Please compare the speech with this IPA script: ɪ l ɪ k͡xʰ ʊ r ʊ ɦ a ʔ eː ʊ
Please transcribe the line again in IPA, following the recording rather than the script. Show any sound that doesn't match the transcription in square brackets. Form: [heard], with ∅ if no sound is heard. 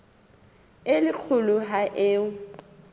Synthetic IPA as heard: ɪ l ɪ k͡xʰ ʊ [l] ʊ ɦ a ʔ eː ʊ